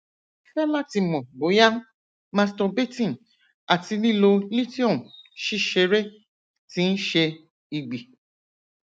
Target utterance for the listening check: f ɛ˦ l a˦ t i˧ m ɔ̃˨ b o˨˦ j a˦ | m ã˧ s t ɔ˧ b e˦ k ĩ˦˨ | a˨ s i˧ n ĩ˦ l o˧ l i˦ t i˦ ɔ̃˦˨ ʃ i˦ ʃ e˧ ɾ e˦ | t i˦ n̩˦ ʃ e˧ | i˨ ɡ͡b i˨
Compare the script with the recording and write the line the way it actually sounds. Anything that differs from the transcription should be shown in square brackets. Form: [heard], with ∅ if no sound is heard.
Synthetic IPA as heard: f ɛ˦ l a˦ t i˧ m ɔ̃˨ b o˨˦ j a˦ | m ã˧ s t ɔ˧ b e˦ [t] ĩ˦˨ | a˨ [t] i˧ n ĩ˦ l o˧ l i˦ t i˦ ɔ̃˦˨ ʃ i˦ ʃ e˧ ɾ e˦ | t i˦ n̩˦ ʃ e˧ | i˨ ɡ͡b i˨